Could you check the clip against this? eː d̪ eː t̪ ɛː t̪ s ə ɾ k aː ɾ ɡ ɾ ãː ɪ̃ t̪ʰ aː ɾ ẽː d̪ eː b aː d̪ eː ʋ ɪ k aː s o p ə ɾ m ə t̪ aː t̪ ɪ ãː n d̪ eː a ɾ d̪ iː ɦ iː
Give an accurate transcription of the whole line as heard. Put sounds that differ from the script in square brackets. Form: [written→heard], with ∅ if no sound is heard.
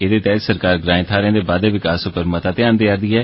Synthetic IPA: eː d̪ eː t̪ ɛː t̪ s ə ɾ k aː ɾ ɡ ɾ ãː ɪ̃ t̪ʰ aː ɾ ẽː d̪ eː b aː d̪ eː ʋ ɪ k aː s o p ə ɾ m ə t̪ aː t̪ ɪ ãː n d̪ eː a ɾ d̪ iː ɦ [iː→ɛː]